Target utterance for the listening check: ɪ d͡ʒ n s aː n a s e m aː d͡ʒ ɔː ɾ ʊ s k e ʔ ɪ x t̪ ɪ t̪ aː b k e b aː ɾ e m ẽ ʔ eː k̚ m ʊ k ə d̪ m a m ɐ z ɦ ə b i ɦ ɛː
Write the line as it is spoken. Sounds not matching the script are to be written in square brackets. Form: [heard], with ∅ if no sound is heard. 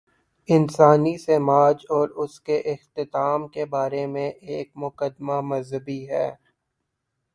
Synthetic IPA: ɪ [∅] n s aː n [i] s e m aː d͡ʒ ɔː ɾ ʊ s k e ʔ ɪ x t̪ ɪ t̪ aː [m] k e b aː ɾ e m ẽ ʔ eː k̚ m ʊ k ə d̪ m a m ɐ z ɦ ə b i ɦ ɛː